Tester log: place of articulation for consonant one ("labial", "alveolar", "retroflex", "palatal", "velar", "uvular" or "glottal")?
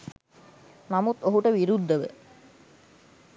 alveolar